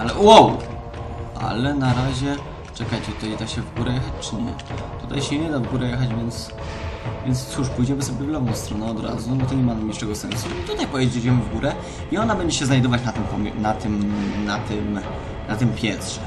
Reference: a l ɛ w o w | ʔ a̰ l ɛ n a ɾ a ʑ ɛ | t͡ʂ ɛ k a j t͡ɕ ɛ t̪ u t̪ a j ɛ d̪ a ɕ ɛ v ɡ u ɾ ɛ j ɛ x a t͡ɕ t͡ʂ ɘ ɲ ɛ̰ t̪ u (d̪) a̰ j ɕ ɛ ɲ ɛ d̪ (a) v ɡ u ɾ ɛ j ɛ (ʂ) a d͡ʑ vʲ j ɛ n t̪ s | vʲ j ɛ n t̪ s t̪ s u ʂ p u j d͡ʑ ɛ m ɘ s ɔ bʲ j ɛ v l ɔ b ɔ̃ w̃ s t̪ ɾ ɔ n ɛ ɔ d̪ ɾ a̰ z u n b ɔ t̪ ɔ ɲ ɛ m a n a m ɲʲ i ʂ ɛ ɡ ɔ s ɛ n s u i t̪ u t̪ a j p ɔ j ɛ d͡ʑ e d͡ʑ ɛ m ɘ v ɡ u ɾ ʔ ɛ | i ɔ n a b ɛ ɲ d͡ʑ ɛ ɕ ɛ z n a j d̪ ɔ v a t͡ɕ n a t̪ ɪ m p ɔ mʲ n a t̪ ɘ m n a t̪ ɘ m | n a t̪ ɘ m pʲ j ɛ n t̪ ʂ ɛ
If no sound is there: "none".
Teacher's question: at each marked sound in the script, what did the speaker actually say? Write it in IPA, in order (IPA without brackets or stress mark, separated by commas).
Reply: t̪, a, x